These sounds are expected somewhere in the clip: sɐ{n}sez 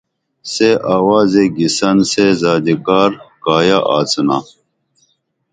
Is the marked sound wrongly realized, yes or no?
no